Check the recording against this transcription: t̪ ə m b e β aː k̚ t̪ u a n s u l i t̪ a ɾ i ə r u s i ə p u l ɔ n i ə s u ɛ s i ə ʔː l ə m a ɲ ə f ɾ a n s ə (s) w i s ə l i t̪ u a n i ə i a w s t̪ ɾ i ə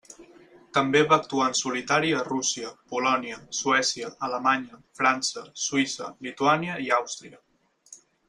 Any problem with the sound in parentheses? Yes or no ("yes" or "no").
no